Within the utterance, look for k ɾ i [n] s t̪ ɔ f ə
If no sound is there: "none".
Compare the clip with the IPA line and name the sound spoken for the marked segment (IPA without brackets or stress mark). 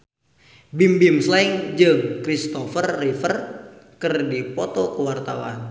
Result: none